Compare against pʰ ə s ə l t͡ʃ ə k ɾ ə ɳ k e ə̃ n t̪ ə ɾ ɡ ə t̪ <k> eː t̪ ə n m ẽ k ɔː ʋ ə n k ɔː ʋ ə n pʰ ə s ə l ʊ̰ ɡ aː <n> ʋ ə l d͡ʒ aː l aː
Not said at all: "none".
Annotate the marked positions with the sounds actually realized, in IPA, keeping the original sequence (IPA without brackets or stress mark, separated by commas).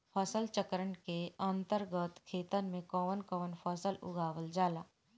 kʰ, none